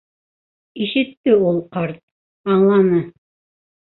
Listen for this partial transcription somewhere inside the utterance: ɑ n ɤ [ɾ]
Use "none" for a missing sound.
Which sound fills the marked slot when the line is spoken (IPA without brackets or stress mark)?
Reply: none